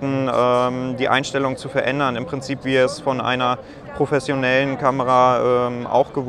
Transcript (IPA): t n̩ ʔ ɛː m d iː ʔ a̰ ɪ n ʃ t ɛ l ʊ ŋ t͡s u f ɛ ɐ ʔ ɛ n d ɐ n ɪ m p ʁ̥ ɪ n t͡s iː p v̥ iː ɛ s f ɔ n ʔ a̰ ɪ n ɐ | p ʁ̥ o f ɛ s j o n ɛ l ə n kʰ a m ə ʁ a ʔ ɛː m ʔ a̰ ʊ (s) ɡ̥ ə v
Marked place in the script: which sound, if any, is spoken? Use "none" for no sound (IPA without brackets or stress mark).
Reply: x